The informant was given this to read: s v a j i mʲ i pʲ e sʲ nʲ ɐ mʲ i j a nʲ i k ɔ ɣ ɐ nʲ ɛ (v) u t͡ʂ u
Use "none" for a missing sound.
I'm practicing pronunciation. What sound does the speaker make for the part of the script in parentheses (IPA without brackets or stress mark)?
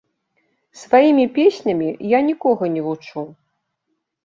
v